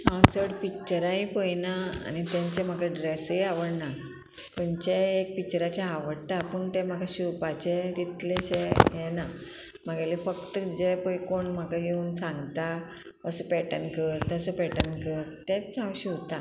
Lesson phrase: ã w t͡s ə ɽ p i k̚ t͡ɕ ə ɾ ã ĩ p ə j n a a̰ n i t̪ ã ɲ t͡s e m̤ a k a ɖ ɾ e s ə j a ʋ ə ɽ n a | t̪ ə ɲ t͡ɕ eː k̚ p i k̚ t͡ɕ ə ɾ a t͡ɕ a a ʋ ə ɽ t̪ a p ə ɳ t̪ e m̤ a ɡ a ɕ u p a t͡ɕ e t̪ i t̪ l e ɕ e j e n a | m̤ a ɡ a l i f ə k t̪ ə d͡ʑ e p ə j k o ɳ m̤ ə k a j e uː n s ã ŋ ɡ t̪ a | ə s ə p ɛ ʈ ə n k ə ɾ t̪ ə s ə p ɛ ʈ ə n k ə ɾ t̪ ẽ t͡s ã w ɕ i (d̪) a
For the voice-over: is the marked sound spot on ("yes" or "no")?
no